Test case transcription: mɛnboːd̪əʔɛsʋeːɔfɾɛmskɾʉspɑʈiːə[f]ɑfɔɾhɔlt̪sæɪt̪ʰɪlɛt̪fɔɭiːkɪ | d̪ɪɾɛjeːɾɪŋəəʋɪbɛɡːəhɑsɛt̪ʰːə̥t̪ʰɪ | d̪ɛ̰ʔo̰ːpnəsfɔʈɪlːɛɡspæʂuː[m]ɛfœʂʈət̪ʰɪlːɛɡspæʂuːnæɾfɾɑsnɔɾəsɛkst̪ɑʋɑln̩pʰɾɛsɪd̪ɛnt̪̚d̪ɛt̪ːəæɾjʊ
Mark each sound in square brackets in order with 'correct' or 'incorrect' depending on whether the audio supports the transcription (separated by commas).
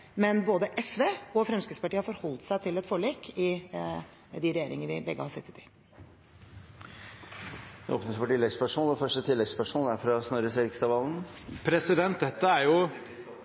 incorrect, incorrect